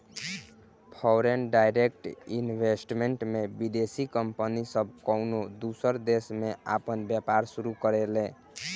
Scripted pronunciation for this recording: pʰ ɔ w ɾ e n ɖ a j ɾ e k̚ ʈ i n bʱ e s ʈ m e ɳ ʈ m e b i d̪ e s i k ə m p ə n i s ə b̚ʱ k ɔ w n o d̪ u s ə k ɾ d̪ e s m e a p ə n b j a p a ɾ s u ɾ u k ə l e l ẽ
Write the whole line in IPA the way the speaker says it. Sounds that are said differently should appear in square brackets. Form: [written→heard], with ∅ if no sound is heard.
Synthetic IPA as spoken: pʰ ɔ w ɾ e n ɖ a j ɾ e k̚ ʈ i n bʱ e s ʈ m e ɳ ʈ m e b i d̪ e s i k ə m p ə n i s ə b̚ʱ k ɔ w n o d̪ u s ə [k→∅] ɾ d̪ e s m e a p ə n b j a p a ɾ s u ɾ u k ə [l→ɾ] e l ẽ